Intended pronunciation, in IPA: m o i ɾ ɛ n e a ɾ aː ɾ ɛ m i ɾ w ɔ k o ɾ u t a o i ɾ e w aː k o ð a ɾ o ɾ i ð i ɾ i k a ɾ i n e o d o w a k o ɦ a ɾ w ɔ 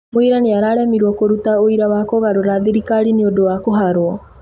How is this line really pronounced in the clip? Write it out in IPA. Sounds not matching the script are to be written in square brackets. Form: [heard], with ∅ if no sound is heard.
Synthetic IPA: m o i ɾ [a] n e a ɾ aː ɾ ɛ m i ɾ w ɔ k o ɾ u t a o i ɾ [a] w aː k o [ɣ] a ɾ o ɾ [a] ð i ɾ i k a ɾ i n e o d o w a k o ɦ a ɾ w ɔ